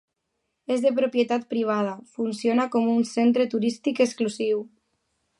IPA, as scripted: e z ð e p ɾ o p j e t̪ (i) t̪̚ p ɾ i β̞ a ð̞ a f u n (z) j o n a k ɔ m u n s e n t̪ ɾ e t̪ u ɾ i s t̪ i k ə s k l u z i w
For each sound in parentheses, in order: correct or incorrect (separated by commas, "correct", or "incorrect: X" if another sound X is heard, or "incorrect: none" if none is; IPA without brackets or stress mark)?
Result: incorrect: a, incorrect: s